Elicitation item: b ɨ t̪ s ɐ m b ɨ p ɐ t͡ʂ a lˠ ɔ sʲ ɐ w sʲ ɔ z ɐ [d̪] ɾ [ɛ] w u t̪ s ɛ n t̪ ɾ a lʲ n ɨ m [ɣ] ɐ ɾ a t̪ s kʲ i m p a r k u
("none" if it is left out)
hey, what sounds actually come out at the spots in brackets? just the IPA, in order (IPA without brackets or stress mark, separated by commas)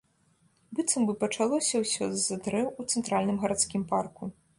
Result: d̪, ɛ, ɣ